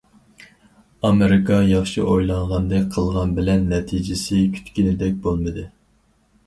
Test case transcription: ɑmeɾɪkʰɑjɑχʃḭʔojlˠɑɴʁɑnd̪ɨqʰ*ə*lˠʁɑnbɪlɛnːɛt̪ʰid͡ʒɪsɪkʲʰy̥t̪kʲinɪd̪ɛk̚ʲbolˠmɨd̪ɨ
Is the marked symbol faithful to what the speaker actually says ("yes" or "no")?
yes